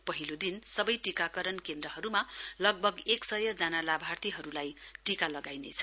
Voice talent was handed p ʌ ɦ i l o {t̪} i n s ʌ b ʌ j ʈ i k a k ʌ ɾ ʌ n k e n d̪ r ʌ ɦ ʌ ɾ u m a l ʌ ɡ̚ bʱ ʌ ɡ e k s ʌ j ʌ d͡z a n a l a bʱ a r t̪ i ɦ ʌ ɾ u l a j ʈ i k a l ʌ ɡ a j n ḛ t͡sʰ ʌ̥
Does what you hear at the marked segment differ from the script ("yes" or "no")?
yes